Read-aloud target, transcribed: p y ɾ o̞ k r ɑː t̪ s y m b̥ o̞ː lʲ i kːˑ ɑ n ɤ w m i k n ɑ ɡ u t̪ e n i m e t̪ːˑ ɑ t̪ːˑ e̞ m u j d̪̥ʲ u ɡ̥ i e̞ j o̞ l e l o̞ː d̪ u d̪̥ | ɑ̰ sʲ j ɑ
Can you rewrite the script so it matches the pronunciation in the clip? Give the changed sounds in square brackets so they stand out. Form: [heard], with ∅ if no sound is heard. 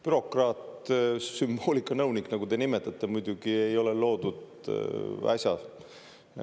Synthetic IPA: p y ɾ o̞ k r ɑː t̪ s y m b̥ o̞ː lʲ i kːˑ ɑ n ɤ w [n] i k n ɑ ɡ u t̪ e n i m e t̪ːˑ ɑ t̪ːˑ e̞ m u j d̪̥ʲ u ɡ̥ i e̞ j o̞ l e l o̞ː d̪ u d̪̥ | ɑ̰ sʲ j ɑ